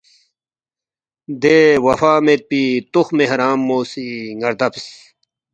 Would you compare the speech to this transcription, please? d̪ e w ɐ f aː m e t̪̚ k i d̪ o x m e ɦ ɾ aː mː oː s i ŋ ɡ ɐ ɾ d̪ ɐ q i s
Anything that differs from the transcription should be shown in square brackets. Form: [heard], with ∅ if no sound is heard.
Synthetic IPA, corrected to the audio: d̪ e w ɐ f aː m e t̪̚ [p] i [t̪] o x m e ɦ ɾ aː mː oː s i ŋ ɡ ɐ ɾ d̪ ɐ [p] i s